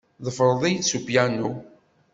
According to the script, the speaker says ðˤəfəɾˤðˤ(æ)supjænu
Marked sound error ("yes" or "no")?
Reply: yes